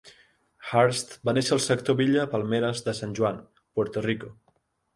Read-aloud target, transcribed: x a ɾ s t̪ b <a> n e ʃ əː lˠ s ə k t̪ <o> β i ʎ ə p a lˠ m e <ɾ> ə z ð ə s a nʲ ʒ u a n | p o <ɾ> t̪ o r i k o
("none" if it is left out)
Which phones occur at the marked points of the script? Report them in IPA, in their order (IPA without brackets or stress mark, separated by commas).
a, o, ɾ, ɾ